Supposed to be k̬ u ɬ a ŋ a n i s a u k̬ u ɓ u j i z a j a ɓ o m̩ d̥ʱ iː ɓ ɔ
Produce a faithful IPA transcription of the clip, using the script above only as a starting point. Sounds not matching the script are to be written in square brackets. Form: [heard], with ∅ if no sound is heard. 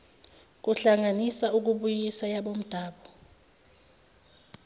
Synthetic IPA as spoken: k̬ u ɬ a ŋ a n i s a u k̬ u ɓ u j i [s] a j a ɓ o m̩ d̥ʱ [aː] ɓ ɔ

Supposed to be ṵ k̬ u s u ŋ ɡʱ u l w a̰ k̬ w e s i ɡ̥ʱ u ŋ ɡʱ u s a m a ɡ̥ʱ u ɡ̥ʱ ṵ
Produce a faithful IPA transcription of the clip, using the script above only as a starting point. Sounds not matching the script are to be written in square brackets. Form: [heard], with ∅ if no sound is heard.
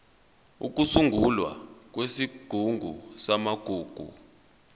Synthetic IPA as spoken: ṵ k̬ u s u ŋ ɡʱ u l w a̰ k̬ w e s i ɡ̥ʱ u ŋ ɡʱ u s a m a ɡ̥ʱ [uː] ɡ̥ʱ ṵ

